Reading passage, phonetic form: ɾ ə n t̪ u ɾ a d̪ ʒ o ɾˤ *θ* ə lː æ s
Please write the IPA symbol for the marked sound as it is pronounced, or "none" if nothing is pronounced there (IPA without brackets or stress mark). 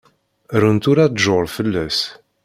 f